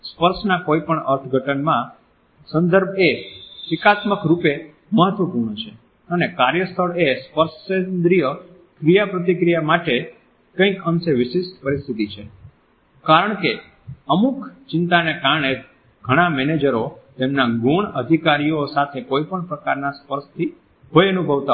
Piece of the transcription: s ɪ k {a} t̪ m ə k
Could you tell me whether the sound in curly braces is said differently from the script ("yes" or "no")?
no